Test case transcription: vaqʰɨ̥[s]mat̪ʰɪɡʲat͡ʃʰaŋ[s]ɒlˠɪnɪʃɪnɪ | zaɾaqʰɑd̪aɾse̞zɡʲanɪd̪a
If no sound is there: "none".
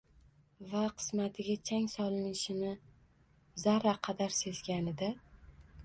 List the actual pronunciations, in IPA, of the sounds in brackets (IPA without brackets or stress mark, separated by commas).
s, s